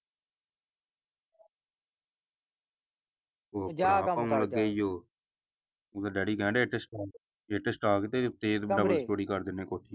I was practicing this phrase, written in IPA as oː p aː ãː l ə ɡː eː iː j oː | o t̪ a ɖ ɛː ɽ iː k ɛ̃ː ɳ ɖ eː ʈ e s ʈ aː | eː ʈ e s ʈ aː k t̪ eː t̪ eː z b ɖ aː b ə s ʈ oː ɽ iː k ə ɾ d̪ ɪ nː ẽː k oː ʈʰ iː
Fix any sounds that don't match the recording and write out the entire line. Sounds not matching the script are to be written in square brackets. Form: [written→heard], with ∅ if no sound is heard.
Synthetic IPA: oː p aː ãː l ə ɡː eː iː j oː | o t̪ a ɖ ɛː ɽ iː k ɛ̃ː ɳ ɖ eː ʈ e s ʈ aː | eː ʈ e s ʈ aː k t̪ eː t̪ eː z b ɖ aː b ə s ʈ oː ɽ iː k ə ɾ d̪ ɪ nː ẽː k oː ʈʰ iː